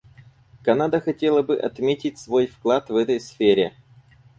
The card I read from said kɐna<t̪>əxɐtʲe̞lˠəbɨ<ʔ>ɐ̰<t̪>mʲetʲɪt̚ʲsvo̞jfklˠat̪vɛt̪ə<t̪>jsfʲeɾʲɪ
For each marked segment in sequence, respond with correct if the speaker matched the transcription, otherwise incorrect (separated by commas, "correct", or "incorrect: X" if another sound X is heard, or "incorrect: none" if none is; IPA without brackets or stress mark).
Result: incorrect: d̪, correct, correct, incorrect: none